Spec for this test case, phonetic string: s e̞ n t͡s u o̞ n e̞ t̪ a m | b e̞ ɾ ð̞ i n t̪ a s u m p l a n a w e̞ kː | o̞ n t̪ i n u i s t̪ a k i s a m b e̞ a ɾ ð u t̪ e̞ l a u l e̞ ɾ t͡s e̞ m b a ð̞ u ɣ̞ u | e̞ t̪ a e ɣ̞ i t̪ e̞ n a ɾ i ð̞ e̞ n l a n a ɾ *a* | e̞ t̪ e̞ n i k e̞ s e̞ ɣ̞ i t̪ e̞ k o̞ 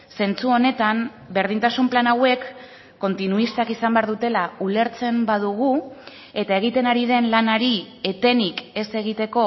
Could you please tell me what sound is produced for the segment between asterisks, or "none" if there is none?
i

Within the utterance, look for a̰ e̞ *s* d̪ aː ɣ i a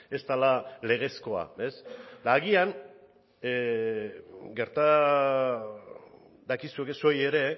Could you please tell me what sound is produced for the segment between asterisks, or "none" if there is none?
s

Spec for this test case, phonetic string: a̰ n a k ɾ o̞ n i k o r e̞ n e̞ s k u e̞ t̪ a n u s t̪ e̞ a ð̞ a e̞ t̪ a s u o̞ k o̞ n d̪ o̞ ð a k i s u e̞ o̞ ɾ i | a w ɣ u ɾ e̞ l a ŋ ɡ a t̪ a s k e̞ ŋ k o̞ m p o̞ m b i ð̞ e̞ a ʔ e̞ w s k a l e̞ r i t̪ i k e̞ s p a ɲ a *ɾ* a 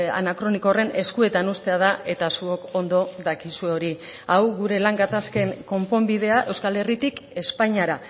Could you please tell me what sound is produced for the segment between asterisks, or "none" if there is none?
ɾ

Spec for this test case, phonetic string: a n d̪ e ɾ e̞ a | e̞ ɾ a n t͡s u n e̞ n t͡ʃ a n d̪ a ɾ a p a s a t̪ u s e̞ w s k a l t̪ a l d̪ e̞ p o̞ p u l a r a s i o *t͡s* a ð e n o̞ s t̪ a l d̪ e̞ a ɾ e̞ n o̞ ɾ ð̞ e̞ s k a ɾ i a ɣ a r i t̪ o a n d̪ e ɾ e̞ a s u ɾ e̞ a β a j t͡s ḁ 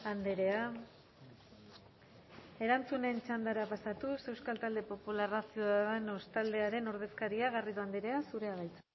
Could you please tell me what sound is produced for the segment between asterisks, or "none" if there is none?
none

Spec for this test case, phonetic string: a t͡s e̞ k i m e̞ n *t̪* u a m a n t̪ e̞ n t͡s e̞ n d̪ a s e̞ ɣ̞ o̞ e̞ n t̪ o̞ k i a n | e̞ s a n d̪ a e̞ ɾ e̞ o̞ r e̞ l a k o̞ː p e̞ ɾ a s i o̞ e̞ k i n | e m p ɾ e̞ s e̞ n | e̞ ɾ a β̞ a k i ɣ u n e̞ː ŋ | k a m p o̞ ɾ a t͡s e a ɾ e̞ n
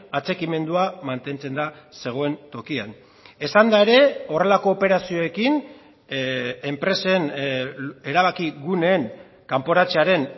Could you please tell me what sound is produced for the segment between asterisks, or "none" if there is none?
d̪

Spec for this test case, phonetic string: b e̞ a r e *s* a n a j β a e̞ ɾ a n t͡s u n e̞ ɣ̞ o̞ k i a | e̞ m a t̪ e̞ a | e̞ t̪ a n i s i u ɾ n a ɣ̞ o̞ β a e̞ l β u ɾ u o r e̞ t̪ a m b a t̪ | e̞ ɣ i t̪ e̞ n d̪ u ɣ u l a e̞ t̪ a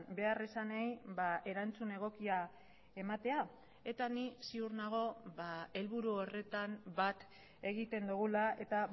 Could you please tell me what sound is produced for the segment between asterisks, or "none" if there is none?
s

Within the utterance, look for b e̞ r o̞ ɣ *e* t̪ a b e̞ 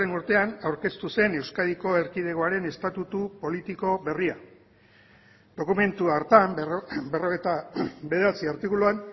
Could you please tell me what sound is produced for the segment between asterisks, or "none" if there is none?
e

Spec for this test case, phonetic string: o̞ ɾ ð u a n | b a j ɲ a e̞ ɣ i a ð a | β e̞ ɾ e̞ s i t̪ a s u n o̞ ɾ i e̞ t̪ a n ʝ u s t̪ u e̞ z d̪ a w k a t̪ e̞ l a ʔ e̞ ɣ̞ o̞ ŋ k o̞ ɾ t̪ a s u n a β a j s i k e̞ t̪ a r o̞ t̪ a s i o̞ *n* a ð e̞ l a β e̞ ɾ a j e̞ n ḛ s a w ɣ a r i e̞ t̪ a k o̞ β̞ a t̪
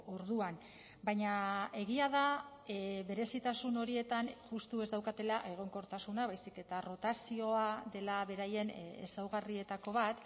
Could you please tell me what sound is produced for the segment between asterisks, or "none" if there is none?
none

